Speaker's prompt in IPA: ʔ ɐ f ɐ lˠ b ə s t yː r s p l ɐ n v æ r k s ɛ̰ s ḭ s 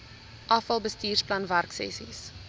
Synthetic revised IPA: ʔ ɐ f ɐ lˠ b ə s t iː r s p l ɐ n v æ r k s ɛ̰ s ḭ s